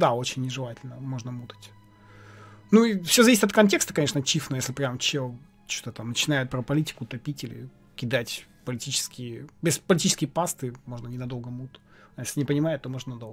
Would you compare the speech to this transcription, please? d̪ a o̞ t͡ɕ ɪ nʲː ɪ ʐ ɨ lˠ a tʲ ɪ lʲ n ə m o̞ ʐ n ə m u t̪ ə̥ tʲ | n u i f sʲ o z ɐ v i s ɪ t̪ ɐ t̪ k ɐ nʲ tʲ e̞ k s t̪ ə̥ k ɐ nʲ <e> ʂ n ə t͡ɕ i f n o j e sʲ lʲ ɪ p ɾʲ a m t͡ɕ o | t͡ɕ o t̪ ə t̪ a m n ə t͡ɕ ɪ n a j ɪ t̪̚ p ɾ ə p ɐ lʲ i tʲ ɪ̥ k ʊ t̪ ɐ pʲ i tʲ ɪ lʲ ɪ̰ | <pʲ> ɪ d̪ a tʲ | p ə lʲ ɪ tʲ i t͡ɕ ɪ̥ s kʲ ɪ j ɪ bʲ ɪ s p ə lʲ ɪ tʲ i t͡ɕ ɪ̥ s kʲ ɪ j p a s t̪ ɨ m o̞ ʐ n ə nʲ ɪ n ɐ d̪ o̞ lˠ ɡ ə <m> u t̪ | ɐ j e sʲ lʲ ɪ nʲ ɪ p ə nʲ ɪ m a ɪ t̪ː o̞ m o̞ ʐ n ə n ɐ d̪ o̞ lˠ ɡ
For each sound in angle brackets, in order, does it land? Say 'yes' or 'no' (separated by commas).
yes, no, yes